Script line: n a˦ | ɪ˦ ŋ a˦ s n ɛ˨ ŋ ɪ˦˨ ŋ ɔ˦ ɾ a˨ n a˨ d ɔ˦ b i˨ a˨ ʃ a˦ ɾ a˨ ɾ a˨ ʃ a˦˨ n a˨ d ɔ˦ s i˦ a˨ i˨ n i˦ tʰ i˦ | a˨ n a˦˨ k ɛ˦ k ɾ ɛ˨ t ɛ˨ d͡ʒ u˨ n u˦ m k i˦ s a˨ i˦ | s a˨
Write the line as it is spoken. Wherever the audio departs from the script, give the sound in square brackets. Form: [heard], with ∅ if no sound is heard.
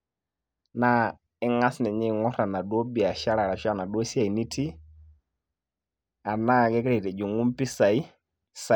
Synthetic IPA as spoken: n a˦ | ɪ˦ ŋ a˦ s n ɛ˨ [ɲ] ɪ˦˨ ŋ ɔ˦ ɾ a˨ n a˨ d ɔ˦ b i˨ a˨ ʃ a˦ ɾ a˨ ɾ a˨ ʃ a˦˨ n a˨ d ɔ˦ s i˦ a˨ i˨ n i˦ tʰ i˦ | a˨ n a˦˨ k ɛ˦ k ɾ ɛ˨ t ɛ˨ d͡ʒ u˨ [ŋ] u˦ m [p] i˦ s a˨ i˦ | s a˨